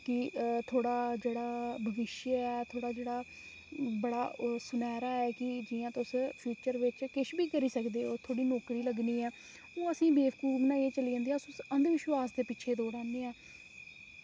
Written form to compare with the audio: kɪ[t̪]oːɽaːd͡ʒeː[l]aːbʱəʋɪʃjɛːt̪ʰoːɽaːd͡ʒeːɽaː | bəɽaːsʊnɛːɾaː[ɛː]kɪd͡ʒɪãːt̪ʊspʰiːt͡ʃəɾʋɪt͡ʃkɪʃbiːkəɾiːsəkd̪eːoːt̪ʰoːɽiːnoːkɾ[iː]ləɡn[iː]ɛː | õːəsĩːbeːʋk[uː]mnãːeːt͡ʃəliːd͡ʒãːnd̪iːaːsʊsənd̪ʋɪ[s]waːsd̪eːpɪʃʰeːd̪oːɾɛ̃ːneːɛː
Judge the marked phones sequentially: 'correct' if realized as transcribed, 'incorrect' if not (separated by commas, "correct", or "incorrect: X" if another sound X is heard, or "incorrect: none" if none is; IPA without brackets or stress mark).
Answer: incorrect: t̪ʰ, incorrect: ɽ, correct, correct, correct, correct, incorrect: ʃ